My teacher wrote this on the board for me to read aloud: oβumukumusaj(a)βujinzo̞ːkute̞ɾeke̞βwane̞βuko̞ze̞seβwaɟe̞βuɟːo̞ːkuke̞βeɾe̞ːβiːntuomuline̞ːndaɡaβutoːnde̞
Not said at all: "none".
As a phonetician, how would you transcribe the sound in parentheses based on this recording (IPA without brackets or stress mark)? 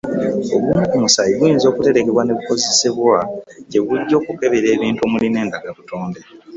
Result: i